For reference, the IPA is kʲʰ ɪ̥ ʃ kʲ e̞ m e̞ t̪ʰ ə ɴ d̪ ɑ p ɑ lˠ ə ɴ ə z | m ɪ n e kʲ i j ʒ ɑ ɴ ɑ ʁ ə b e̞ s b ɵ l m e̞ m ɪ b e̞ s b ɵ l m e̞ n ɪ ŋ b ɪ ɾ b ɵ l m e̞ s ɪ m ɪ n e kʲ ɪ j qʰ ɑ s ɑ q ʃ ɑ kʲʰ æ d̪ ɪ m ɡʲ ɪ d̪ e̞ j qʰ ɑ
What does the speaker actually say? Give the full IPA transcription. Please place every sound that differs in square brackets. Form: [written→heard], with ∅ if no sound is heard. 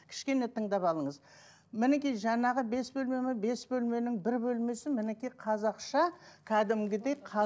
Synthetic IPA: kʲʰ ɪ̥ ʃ kʲ e̞ [m→n] e̞ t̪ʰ ə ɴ d̪ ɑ p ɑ lˠ ə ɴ ə z | m ɪ n e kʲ i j ʒ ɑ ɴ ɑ ʁ ə b e̞ s b ɵ l m e̞ m ɪ b e̞ s b ɵ l m e̞ n ɪ ŋ b ɪ ɾ b ɵ l m e̞ s ɪ m ɪ n e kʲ [ɪ→i] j qʰ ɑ [s→z] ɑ q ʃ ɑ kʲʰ æ d̪ ɪ m ɡʲ ɪ d̪ e̞ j qʰ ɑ